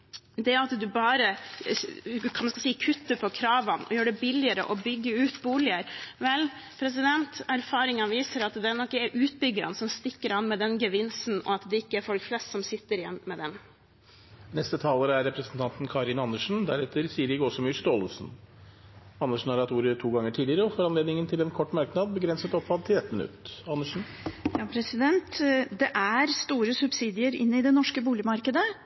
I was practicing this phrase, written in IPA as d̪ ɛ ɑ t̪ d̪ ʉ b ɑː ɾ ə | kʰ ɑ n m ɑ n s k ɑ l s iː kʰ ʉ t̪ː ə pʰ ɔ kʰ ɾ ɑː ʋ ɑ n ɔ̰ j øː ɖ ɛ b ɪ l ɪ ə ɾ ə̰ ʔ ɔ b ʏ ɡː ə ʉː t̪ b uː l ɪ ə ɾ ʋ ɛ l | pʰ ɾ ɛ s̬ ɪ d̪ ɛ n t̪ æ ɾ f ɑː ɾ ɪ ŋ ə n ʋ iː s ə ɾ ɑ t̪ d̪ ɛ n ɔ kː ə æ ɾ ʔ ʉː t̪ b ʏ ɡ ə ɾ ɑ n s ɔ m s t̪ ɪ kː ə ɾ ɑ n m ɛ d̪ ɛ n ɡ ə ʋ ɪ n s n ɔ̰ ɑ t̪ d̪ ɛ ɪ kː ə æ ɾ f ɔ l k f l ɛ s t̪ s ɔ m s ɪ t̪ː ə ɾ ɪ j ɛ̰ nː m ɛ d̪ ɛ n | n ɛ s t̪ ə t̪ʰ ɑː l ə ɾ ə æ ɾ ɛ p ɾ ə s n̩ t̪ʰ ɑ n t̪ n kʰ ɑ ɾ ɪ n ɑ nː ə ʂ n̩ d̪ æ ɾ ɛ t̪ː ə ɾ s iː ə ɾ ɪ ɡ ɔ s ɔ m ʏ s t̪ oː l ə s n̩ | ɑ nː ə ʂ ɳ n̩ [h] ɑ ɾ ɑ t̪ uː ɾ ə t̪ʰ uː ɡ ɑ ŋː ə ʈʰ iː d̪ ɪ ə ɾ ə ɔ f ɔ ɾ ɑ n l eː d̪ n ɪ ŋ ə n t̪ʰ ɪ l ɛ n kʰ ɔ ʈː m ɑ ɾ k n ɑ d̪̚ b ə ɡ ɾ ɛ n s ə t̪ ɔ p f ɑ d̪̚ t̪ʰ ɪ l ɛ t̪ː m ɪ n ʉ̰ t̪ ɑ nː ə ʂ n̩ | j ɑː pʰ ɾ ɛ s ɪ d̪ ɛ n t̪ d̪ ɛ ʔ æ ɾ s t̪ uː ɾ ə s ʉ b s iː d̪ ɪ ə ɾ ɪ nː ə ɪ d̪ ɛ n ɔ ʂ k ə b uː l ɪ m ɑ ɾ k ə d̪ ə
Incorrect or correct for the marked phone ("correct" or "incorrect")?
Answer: correct